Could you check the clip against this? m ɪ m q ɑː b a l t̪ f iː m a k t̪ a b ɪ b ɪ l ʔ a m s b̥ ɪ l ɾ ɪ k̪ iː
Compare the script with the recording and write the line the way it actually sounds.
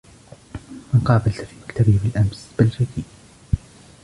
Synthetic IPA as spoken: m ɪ n q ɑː b a l t̪ f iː m a k t̪ a b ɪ b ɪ l ʔ a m s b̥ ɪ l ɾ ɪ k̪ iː